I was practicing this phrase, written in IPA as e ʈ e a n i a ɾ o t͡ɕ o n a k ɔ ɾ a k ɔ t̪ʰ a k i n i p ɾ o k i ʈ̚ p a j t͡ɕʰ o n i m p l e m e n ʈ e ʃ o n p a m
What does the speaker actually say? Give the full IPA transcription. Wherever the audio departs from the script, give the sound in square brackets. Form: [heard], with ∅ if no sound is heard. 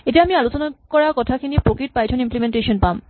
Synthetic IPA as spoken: e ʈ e a [m] i a [l] o t͡ɕ o n a k ɔ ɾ a k ɔ t̪ʰ a k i n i p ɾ o k i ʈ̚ p a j t͡ɕʰ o n i m p l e m e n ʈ e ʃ o n p a m